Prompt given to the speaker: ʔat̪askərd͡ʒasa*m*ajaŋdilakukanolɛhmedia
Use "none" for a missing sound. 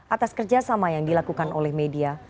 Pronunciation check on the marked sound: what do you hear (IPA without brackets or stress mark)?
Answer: m